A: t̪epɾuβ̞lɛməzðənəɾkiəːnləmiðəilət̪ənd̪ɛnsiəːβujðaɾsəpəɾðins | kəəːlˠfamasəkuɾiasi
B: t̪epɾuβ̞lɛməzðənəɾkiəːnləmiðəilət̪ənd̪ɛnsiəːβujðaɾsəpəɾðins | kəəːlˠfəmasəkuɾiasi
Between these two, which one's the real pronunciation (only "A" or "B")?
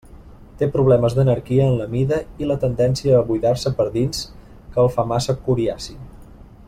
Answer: A